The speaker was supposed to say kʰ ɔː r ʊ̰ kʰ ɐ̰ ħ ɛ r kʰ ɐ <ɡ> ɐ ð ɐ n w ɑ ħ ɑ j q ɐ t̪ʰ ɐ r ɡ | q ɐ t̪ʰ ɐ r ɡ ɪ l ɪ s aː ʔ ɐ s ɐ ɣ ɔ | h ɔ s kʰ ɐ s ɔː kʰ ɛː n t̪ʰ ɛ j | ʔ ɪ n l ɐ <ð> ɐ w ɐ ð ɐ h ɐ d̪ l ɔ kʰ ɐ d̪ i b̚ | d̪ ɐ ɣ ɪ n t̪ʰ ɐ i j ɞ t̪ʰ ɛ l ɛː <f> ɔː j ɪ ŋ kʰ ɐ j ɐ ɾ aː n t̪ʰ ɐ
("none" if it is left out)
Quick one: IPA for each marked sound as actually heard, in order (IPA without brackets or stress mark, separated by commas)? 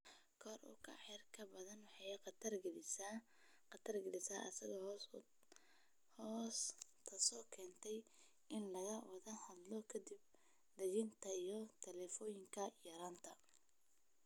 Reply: b, ɣ, f